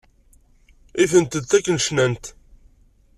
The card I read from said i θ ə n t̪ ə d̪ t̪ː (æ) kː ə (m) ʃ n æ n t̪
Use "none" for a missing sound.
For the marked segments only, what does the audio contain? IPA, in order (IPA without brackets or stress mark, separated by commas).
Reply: æ, n